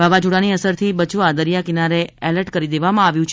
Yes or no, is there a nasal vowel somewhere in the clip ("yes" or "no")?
yes